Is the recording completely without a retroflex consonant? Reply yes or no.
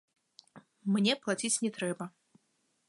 yes